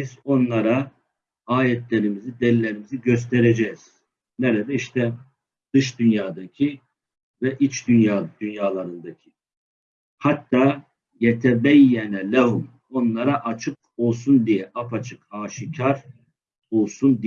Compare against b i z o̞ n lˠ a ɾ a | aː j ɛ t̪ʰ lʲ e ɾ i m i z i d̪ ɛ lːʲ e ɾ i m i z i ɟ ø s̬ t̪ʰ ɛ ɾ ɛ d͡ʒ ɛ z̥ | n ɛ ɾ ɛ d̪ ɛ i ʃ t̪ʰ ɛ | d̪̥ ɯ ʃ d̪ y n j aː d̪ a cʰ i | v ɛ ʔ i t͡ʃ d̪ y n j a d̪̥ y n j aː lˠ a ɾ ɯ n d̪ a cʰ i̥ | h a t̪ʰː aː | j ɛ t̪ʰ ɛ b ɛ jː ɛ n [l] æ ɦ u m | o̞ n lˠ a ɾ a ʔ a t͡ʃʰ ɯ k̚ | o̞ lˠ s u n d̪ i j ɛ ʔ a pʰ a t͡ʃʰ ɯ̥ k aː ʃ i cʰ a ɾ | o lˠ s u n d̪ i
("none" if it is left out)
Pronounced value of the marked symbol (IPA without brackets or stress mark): l